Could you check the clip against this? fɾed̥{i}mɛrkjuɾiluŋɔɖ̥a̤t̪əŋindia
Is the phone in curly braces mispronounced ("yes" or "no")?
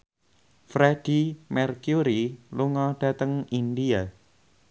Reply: no